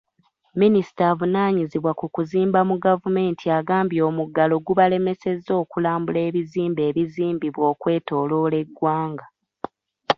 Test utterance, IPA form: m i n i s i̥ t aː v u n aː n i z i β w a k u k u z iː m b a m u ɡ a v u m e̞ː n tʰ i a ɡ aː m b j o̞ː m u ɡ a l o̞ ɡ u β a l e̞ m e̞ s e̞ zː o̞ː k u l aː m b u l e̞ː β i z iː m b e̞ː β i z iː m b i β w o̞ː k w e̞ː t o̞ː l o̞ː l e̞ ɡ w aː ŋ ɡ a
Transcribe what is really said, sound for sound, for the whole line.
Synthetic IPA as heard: m i n i s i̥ t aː v u n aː ɲ i z i β w a k u k u z iː m b a m u ɡ a v u m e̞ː n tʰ i a ɡ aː m b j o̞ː m u ɡ a l o̞ ɡ u β a l e̞ m e̞ s e̞ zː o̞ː k u l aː m b u l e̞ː β i z iː m b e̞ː β i z iː m b i β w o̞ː k w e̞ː t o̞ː l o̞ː l e̞ ɡ w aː ŋ ɡ a